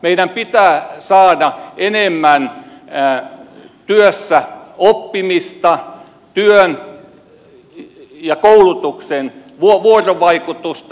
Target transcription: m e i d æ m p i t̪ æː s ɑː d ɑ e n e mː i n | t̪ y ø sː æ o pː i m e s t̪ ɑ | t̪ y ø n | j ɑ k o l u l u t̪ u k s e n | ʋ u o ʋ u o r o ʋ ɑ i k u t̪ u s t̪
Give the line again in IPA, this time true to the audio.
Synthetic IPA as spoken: m e i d æ m p i t̪ æː s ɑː d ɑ e n e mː æ n | t̪ y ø sː æ o pː i m i s t̪ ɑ | t̪ y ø n | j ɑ k o u l u t̪ u k s e n | ʋ u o ʋ u o r o ʋ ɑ i k u t̪ u s t̪